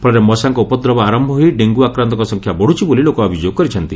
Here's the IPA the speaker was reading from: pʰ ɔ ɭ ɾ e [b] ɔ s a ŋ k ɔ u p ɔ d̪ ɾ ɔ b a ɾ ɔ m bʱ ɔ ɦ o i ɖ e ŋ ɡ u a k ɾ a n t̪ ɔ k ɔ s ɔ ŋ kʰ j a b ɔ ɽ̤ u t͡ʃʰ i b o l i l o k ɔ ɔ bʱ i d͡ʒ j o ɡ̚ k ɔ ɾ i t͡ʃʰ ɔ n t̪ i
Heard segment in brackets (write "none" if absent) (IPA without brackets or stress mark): m